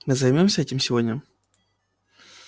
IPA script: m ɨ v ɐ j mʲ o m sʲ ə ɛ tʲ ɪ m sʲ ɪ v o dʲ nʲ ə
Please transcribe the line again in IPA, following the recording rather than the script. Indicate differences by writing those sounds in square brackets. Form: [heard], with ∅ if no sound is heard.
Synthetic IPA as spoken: m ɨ [z] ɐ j mʲ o m sʲ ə ɛ tʲ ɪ m sʲ ɪ v o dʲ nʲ ə